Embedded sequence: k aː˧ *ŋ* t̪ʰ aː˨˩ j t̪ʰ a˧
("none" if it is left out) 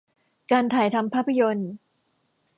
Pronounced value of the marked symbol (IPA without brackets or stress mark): n